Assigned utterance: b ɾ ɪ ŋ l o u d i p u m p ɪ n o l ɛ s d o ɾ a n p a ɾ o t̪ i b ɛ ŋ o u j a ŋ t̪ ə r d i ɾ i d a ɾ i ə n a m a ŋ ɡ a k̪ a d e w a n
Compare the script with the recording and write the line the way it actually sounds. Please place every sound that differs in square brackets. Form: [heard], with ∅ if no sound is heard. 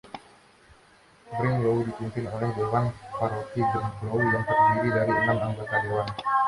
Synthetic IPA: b ɾ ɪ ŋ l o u d i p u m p ɪ n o l ɛ [h] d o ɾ a n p a ɾ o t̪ i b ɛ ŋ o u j a ŋ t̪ ə r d i ɾ i d a ɾ i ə n a m a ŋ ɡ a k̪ a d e w a n